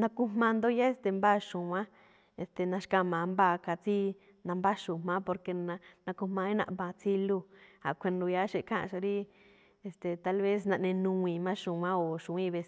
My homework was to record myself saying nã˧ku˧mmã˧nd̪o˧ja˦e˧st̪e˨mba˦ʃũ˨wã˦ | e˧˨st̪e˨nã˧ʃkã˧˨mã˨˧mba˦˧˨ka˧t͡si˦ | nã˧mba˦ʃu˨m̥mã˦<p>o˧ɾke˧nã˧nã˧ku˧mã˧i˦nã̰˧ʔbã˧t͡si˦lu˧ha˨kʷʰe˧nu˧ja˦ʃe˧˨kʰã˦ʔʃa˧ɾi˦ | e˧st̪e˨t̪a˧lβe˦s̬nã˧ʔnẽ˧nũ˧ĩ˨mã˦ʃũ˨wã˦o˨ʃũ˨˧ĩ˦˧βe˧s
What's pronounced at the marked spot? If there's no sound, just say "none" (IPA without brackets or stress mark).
p